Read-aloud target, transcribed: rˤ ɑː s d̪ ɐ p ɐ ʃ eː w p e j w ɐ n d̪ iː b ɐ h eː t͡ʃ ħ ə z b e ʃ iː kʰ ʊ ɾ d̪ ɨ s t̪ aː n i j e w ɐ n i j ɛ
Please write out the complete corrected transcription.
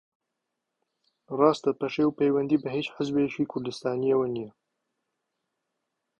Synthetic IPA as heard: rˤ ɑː s t̪ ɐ p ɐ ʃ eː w p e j w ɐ n d̪ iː b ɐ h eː t͡ʃ ħ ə z b e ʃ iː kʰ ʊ ɾ d̪ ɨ s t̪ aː n i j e w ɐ n i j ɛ

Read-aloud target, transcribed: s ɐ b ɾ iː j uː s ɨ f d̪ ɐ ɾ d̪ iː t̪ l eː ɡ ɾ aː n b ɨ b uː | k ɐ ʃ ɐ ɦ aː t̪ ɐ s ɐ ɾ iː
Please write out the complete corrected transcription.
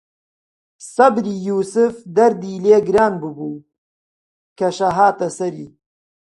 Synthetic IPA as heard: s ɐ b ɾ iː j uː s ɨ f d̪ ɐ ɾ d̪ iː l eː ɡ ɾ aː n b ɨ b uː | k ɐ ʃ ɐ ɦ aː t̪ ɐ s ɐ ɾ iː

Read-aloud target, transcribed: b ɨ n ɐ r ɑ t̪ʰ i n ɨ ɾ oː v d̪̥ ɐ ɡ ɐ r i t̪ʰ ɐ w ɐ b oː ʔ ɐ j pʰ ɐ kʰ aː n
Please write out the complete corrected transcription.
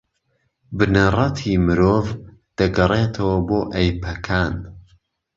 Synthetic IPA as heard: b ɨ n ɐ r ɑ t̪ʰ i m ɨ ɾ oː v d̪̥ ɐ ɡ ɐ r e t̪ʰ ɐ w ɐ b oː ʔ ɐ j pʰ ɐ kʰ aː n

